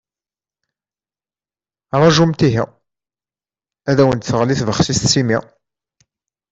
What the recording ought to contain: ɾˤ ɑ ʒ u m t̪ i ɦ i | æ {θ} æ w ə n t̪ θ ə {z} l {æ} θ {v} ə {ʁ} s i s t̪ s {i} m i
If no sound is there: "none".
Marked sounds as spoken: ð, ʁ, i, v, χ, i

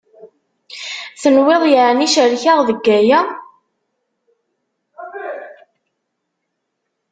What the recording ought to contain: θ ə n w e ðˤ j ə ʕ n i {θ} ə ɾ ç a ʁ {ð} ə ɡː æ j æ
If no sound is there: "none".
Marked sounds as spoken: ʃ, ð

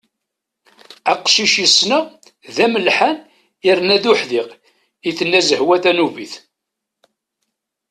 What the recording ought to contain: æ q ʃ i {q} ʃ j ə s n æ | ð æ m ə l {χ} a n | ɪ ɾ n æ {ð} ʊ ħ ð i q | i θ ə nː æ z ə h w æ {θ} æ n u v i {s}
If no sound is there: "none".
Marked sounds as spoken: none, ħ, ð, θ, θ

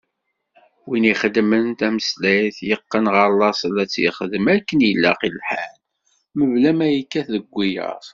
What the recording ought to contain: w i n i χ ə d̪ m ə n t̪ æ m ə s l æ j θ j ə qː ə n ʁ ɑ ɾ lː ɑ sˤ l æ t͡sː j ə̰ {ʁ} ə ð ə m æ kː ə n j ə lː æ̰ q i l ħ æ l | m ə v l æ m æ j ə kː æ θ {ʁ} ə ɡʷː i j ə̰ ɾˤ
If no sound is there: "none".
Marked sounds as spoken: χ, ð

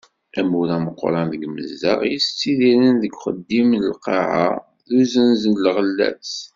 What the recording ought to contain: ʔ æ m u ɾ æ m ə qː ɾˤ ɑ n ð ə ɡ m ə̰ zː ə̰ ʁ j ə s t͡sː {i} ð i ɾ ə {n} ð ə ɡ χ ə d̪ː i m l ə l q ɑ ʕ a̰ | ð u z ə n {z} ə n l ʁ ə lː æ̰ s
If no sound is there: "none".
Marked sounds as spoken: i, n, z

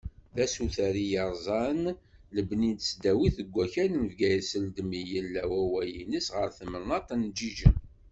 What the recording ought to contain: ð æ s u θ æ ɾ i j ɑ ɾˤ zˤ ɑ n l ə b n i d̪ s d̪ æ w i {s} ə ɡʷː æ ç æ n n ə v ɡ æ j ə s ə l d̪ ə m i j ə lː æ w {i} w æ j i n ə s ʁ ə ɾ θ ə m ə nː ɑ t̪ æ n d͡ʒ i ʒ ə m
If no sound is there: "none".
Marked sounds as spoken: θ, æ

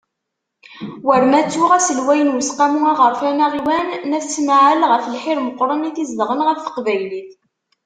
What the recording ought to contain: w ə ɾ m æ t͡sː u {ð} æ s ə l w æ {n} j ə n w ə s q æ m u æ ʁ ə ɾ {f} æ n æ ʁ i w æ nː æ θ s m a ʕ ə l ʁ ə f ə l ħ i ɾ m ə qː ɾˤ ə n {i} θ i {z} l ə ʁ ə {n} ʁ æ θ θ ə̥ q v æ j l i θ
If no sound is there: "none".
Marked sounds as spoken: ʁ, none, f, i, z, n

